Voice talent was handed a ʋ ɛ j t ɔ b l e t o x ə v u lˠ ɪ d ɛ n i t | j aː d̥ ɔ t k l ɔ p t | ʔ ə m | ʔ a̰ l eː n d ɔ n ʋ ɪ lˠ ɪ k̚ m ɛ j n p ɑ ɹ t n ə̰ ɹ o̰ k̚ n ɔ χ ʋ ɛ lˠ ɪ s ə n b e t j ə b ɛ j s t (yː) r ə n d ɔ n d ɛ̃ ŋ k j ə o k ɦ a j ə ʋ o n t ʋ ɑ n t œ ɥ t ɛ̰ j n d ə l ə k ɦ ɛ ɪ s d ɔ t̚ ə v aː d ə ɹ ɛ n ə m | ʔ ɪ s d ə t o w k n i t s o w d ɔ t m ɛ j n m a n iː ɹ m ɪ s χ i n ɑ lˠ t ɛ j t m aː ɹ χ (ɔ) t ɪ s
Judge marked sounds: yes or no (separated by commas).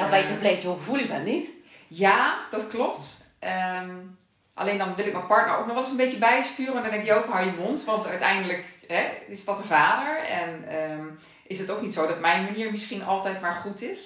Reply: yes, no